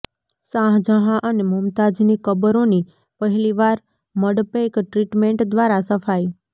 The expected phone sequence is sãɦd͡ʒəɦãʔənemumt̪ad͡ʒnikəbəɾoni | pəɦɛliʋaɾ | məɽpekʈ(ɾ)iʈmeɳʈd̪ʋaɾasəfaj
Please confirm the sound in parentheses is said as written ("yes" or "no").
yes